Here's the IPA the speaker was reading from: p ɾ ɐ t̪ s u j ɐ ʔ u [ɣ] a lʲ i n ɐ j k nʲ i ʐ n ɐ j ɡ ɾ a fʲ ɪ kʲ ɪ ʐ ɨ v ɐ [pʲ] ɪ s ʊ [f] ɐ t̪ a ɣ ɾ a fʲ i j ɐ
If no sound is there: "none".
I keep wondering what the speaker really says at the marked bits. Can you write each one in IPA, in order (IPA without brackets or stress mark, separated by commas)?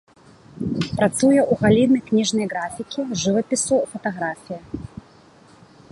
ɣ, pʲ, f